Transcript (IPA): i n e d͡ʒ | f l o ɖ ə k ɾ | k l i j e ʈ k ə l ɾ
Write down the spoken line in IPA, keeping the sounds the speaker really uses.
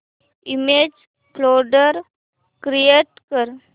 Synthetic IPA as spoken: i m e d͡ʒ | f l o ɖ ə ɾ | k ɾ i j e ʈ k ə ɾ